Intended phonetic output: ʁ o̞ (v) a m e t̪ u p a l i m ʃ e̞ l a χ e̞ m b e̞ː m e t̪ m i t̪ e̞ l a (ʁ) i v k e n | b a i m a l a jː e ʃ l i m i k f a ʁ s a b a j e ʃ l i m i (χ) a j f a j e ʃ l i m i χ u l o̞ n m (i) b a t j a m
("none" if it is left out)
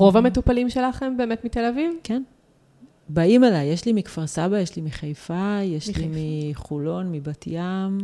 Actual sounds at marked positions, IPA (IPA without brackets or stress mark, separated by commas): v, v, χ, i